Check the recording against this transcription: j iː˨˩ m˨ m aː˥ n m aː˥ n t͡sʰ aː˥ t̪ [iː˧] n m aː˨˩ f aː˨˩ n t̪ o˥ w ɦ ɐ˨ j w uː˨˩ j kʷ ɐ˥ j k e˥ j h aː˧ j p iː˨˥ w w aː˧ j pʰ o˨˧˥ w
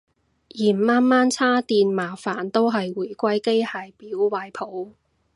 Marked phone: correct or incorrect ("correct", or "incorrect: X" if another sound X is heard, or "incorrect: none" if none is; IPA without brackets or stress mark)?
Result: correct